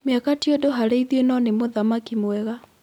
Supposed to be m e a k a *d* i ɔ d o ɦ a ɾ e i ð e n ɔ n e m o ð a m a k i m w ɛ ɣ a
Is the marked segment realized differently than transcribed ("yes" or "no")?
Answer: yes